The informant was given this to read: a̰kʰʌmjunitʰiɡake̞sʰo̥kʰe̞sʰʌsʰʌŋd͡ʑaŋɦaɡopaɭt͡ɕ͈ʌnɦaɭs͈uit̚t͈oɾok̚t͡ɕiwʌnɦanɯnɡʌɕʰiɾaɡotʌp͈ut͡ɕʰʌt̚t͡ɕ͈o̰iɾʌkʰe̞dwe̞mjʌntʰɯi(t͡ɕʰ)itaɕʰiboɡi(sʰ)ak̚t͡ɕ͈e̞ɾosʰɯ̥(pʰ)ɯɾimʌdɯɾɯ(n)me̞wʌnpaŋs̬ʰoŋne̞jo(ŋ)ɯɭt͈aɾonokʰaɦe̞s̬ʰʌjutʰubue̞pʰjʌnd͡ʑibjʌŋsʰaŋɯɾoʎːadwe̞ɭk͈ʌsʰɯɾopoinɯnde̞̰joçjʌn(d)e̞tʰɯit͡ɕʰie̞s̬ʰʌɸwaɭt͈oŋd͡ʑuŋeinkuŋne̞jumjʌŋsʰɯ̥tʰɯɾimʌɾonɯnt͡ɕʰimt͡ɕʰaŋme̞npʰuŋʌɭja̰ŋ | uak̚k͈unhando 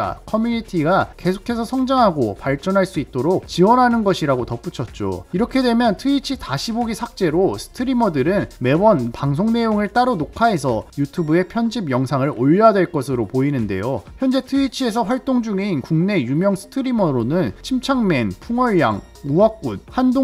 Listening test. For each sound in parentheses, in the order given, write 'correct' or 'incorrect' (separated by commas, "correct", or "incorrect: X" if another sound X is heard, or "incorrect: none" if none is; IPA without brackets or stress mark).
correct, correct, incorrect: tʰ, correct, correct, incorrect: d͡ʑ